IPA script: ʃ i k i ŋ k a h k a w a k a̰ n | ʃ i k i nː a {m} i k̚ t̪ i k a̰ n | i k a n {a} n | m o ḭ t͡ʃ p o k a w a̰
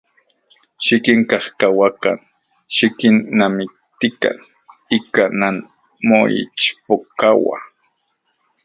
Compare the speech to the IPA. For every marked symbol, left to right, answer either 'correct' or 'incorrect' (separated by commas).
correct, correct